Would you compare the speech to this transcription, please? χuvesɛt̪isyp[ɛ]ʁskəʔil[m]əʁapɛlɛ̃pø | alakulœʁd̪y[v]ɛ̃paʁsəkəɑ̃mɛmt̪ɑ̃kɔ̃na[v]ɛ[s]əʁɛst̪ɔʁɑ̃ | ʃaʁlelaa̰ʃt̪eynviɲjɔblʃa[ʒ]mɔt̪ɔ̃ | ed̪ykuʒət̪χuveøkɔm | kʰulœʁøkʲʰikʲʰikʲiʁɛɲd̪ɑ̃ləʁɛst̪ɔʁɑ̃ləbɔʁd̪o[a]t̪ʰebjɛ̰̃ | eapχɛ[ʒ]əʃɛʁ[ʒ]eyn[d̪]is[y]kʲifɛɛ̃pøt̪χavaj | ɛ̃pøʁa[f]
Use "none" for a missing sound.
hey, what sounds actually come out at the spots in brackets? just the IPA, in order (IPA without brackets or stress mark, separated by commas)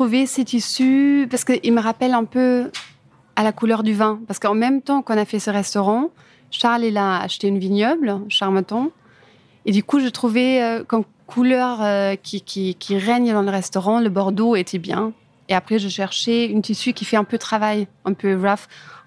a, m, v, f, s, ʁ, e, ʒ, ʃ, t̪, y, f